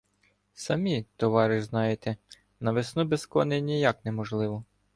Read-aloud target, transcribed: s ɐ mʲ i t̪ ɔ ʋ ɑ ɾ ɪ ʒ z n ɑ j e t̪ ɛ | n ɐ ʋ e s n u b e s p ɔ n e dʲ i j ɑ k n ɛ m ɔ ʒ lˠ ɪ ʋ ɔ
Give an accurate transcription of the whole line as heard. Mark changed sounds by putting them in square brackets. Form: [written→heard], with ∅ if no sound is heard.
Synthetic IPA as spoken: s ɐ mʲ i t̪ ɔ ʋ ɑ ɾ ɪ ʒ z n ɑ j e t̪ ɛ | n ɐ ʋ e s n u b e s [p→k] ɔ n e [dʲ→nʲ] i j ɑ k n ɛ m ɔ ʒ lˠ ɪ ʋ ɔ